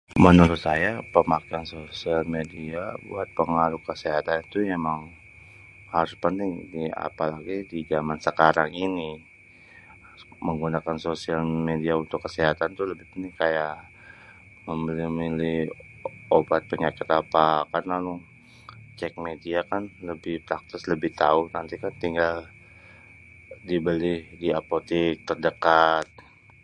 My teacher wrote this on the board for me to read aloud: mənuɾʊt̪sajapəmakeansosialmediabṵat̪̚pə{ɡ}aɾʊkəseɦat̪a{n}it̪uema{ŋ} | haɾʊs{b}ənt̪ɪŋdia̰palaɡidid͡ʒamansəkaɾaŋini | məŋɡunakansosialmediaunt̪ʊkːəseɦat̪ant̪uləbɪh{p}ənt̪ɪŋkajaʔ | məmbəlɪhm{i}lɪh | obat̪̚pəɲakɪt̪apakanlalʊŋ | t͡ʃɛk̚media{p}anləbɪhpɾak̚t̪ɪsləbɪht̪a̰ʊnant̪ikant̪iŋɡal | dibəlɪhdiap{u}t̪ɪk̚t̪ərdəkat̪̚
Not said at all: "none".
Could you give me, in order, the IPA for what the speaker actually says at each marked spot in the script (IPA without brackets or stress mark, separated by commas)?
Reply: ŋ, n, ŋ, p, p, i, k, o